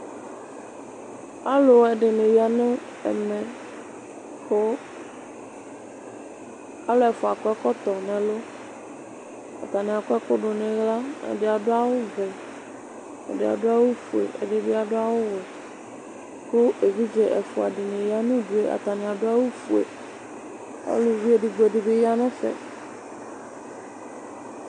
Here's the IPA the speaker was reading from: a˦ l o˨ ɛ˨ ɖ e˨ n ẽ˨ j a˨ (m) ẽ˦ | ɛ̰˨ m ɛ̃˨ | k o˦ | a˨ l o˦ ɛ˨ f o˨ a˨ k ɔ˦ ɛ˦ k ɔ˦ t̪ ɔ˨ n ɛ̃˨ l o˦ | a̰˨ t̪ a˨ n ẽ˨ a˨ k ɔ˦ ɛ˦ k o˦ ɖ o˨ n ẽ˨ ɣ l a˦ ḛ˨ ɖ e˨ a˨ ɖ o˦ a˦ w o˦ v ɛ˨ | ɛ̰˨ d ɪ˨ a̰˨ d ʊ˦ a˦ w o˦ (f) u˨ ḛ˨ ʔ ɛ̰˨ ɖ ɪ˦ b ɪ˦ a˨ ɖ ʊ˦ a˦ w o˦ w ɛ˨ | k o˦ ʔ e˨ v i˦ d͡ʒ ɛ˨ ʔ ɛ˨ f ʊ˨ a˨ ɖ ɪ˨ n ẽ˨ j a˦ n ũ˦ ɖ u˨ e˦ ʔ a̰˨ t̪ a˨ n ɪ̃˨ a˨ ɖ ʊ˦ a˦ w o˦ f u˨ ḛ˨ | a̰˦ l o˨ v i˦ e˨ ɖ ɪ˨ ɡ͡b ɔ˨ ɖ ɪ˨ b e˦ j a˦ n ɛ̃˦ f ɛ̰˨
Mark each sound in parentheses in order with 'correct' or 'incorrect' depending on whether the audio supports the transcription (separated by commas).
incorrect, correct